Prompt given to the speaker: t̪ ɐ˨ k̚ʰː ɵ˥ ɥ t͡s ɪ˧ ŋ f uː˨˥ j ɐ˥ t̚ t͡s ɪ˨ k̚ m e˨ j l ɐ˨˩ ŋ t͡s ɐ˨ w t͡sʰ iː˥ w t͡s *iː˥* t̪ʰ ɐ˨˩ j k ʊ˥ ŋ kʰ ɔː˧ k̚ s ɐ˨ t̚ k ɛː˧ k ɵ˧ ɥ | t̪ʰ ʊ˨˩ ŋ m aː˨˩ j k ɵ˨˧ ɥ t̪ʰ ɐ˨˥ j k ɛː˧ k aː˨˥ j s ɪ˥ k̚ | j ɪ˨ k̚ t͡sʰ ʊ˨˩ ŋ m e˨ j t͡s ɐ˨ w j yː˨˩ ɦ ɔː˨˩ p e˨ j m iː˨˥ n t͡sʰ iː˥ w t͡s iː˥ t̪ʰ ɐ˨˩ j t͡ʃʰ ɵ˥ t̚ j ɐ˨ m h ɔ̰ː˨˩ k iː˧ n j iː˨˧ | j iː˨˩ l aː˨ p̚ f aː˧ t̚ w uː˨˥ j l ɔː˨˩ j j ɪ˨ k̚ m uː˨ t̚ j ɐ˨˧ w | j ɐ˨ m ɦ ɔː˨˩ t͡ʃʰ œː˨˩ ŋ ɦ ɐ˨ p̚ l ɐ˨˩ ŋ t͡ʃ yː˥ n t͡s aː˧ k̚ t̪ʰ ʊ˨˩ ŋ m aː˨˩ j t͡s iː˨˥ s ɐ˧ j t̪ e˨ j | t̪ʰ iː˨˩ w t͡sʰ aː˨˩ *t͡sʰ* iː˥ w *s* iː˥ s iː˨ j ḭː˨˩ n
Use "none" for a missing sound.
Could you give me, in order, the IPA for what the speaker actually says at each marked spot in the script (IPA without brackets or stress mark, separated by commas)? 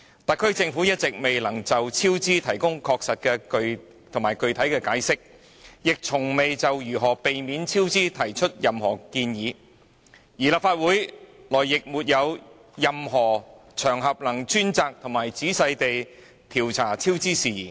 iː˥, t͡sʰ, t͡s